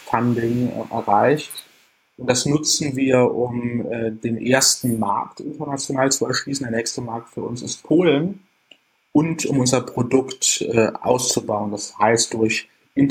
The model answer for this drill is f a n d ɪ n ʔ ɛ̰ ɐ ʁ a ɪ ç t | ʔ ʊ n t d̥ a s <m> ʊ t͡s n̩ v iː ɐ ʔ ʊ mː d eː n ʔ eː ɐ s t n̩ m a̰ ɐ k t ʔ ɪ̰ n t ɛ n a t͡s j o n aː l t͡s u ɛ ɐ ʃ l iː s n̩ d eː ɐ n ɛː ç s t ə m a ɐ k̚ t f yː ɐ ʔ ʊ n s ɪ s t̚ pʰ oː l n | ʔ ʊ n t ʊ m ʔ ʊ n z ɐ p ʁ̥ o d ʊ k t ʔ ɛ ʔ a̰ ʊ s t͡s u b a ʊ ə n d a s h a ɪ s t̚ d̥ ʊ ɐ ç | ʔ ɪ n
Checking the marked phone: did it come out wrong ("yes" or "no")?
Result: yes